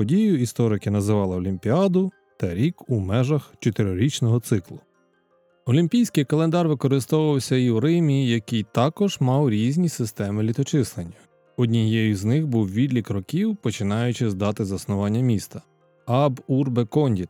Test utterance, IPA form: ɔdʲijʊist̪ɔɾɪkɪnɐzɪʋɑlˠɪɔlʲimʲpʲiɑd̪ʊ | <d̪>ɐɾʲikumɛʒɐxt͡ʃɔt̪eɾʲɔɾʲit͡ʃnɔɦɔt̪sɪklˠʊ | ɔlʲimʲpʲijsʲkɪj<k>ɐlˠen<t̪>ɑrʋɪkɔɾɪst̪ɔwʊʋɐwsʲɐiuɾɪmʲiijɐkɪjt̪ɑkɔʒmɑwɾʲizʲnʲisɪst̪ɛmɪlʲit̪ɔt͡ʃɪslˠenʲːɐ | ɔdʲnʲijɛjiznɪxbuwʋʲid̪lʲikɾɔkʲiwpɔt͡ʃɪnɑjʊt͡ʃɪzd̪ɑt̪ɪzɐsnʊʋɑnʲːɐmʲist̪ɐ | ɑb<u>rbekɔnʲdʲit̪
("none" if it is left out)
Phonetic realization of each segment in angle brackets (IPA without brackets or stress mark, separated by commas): t̪, k, d̪, u